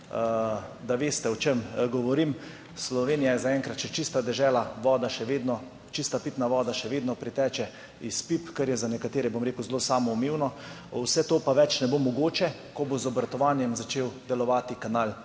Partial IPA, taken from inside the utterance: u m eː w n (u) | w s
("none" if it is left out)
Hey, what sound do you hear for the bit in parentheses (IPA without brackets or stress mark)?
ɔ